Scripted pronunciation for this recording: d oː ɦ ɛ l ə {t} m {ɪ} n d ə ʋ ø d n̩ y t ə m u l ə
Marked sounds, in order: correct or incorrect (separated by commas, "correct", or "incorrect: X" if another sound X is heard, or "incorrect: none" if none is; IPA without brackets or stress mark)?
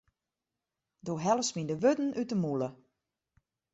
incorrect: s, incorrect: i